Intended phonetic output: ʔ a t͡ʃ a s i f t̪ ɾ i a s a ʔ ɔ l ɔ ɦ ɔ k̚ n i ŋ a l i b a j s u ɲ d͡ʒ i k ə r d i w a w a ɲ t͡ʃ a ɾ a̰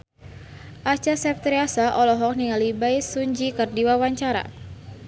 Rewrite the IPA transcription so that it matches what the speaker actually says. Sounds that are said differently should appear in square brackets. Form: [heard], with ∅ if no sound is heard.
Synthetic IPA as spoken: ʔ a t͡ʃ a s [ɛ] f t̪ ɾ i a s a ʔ ɔ l ɔ ɦ ɔ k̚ n i ŋ a l i b a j s u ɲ d͡ʒ i k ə r d i w a w a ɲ t͡ʃ a ɾ a̰